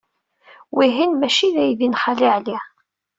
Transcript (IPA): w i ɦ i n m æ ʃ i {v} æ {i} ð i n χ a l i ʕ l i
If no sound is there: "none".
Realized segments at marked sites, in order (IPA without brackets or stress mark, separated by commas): ð, j